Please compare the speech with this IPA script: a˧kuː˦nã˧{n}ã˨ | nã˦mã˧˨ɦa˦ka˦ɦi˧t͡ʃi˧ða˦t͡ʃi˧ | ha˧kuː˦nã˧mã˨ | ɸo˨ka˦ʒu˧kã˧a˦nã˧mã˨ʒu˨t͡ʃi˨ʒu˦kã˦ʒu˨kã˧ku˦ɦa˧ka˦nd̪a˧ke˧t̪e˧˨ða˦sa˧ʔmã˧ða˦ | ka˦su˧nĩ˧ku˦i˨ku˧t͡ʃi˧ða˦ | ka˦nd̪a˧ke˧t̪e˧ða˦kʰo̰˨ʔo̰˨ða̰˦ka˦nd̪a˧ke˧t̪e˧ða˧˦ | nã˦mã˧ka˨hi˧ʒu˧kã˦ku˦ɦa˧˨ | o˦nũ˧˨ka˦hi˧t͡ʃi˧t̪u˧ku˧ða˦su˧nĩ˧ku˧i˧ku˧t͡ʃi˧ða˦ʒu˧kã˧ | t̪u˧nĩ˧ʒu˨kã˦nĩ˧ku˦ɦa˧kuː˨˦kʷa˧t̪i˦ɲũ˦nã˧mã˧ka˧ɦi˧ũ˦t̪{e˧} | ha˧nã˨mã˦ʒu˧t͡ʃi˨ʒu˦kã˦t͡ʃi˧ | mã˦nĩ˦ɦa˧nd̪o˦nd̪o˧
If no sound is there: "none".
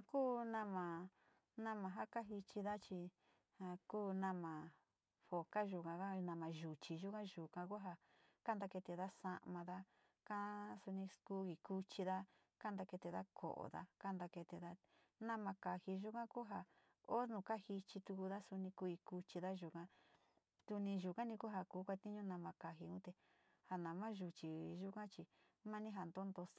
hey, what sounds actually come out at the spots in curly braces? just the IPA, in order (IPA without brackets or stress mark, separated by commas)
m, e˧